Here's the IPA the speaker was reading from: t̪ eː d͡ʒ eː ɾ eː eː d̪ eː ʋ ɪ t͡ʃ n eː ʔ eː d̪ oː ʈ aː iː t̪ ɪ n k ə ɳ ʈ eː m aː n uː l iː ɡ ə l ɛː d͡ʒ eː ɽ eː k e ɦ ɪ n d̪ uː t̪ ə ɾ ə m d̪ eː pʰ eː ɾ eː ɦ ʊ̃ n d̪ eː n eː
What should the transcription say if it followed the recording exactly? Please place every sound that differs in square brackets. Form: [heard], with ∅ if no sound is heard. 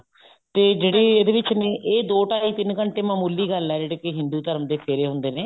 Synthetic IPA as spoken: t̪ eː d͡ʒ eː [ɽ] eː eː d̪ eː ʋ ɪ t͡ʃ n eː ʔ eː d̪ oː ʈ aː iː t̪ ɪ n k ə ɳ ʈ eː m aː [m] uː l iː ɡ ə l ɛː d͡ʒ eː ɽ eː k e ɦ ɪ n d̪ uː t̪ ə ɾ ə m d̪ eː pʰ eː ɾ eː ɦ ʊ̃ n d̪ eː n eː